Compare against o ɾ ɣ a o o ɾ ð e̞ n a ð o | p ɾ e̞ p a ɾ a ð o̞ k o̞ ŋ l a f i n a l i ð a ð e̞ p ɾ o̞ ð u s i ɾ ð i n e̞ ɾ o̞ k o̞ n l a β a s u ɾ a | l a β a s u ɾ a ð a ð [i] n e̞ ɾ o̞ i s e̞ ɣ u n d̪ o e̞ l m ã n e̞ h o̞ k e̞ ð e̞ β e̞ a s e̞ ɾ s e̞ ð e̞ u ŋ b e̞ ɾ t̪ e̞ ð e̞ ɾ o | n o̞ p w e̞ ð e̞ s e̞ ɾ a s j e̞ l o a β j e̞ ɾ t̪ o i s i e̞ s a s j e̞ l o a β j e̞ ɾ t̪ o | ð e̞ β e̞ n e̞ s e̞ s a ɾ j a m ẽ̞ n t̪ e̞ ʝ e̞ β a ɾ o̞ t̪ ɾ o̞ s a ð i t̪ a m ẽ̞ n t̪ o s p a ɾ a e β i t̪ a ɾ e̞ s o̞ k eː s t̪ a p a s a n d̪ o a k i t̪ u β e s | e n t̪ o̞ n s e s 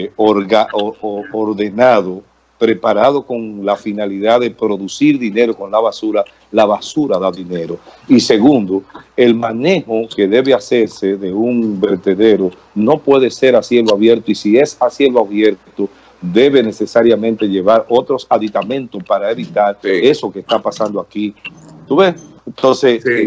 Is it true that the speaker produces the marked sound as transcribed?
yes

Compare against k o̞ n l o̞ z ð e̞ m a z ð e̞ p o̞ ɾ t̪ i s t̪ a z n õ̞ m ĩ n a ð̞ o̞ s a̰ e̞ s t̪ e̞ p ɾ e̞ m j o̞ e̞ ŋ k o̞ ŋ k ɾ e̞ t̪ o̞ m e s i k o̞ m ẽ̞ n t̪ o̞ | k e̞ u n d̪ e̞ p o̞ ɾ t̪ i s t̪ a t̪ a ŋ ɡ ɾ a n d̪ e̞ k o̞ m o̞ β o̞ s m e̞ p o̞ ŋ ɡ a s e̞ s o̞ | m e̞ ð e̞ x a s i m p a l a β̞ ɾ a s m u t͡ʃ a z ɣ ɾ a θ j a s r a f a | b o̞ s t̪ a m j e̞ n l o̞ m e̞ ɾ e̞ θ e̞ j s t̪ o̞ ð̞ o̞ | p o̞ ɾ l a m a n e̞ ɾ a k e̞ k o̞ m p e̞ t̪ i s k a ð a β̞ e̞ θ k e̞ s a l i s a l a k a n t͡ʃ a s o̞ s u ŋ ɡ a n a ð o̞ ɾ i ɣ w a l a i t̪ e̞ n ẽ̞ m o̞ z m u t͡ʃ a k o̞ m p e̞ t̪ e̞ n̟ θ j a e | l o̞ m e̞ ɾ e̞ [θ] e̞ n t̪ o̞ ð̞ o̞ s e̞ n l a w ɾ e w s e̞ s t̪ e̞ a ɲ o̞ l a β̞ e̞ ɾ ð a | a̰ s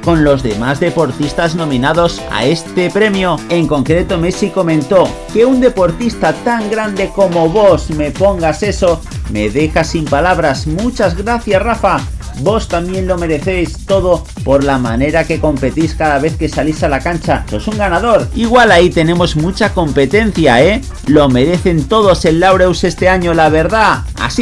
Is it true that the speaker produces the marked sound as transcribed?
yes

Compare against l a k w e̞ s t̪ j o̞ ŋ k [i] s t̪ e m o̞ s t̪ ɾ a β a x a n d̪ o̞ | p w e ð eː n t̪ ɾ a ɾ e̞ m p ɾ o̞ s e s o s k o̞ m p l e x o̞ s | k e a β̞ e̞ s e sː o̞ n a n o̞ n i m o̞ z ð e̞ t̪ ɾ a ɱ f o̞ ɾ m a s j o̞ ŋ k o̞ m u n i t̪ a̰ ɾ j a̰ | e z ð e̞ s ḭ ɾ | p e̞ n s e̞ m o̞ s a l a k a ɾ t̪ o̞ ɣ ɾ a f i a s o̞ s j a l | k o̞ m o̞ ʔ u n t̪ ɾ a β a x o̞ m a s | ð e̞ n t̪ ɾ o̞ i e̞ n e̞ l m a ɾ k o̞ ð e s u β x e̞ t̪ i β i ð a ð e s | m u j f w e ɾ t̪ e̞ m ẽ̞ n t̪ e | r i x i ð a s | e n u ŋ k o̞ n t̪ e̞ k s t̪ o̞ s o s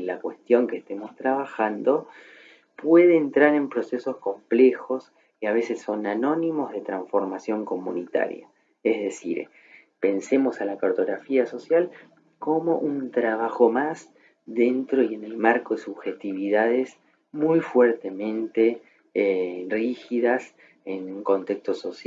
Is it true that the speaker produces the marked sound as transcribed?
no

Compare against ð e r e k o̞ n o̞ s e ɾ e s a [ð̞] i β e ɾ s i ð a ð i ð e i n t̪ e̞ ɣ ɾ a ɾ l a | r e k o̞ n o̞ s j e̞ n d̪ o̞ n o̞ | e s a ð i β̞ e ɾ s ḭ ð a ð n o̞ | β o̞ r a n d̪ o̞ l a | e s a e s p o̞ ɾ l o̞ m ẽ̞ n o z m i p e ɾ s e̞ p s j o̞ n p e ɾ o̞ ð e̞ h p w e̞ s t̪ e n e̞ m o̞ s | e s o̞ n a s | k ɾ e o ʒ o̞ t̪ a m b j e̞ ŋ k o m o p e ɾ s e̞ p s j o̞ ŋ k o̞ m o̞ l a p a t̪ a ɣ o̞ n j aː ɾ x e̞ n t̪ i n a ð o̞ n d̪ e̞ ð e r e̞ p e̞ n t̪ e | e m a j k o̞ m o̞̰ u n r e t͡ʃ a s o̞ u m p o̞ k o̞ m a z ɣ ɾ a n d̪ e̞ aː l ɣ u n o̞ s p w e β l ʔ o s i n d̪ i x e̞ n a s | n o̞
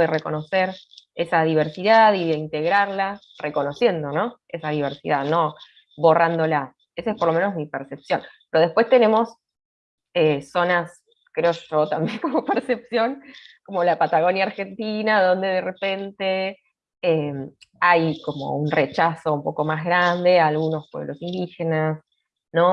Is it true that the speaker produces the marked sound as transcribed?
yes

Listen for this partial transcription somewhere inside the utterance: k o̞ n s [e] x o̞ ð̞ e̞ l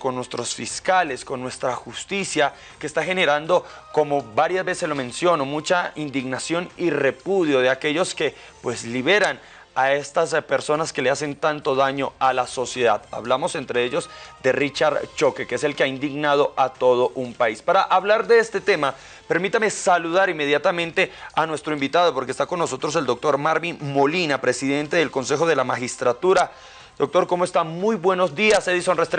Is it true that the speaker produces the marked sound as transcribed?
yes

